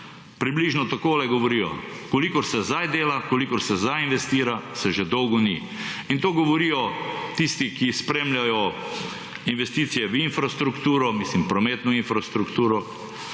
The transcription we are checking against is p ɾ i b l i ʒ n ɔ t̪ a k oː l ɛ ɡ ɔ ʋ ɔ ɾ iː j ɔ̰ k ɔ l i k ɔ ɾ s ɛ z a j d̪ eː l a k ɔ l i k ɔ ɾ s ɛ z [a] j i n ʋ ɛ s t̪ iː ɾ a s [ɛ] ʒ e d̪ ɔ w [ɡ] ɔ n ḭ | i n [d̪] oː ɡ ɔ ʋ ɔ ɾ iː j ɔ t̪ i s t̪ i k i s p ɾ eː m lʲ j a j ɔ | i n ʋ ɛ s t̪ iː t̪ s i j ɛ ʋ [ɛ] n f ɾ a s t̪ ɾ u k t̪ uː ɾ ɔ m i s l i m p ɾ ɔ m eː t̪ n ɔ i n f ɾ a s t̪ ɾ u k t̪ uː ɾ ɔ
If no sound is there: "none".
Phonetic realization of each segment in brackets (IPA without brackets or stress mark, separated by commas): a, ɛ, ɡ, t̪, i